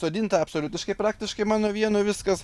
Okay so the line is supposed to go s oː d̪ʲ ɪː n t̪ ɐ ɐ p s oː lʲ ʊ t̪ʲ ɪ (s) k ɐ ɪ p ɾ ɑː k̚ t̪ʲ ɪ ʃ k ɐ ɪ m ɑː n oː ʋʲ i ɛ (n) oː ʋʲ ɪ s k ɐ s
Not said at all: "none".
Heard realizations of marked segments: ʃ, n

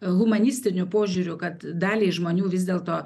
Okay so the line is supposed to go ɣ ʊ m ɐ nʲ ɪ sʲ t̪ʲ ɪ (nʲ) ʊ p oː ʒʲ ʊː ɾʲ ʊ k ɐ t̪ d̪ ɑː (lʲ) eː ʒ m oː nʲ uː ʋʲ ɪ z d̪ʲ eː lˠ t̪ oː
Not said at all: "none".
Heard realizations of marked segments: nʲ, lʲ

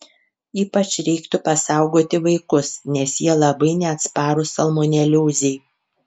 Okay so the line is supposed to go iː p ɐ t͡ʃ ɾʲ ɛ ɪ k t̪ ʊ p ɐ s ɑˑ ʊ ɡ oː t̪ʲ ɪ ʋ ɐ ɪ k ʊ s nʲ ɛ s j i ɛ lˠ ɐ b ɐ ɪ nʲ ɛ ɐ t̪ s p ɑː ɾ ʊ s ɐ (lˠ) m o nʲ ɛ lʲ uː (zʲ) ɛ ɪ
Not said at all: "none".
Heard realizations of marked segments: lˠ, zʲ

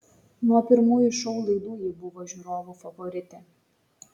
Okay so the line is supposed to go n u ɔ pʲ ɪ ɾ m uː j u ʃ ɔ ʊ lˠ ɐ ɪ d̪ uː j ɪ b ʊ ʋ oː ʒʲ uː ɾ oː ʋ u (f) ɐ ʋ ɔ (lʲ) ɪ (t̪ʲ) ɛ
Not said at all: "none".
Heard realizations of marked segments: f, ɾʲ, t̪ʲ

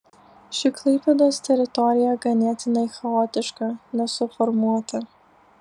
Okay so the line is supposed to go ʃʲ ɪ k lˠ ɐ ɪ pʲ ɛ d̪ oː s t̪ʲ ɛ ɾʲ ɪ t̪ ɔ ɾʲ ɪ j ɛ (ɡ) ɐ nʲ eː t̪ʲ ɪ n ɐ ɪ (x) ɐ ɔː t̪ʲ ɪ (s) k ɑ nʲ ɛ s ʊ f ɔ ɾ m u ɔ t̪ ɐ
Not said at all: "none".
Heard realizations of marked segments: ɡ, x, ʃ

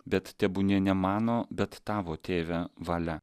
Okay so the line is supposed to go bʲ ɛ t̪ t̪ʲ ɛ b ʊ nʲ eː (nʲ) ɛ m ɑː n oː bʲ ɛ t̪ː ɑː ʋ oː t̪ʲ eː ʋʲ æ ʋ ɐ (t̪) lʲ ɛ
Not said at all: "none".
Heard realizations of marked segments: nʲ, none

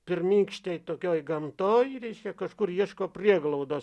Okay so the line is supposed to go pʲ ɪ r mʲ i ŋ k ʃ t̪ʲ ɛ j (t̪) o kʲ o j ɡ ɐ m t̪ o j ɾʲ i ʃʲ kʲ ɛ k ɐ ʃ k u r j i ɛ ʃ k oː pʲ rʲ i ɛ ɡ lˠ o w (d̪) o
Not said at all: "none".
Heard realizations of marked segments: t̪, d̪

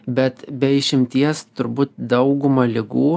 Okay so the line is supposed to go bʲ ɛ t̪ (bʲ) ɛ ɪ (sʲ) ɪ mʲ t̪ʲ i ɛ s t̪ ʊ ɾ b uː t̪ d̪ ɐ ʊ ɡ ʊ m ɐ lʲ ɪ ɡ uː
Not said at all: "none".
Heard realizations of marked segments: bʲ, ʃʲ

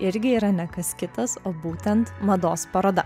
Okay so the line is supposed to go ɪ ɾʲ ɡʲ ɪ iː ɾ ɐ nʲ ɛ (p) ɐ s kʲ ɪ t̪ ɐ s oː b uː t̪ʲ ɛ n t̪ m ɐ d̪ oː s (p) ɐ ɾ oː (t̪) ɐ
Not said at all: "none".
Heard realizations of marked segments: k, p, d̪

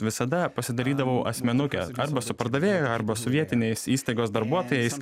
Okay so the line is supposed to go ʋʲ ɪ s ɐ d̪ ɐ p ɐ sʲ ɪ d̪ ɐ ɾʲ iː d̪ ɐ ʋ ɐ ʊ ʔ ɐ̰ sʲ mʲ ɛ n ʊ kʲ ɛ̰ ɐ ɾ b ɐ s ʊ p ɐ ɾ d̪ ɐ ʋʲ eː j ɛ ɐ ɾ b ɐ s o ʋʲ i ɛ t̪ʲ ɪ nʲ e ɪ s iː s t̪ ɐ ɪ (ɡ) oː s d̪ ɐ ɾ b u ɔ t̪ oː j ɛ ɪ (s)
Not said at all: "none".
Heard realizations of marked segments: ɡ, s

